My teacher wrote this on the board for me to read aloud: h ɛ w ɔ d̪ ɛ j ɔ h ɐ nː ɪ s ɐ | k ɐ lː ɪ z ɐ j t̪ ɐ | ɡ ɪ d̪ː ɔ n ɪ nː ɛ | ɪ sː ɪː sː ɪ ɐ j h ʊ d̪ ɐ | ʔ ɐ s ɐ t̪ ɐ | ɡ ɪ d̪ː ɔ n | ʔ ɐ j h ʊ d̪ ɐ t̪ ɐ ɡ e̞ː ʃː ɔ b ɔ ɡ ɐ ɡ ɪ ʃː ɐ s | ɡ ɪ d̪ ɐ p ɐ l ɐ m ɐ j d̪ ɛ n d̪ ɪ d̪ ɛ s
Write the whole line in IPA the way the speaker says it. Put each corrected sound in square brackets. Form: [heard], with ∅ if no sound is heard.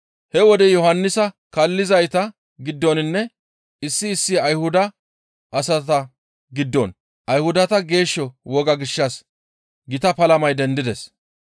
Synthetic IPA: h ɛ w ɔ d̪ ɛ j ɔ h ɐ nː ɪ s ɐ | k ɐ lː ɪ z ɐ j t̪ ɐ | ɡ ɪ d̪ː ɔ n ɪ nː ɛ | ɪ sː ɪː sː ɪ ɐ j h ʊ d̪ ɐ | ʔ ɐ s ɐ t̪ ɐ | ɡ ɪ d̪ː ɔ n | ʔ ɐ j h ʊ d̪ ɐ t̪ ɐ ɡ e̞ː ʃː ɔ [w] ɔ ɡ ɐ ɡ ɪ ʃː ɐ s | ɡ ɪ [t̪] ɐ p ɐ l ɐ m ɐ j d̪ ɛ n d̪ ɪ d̪ ɛ s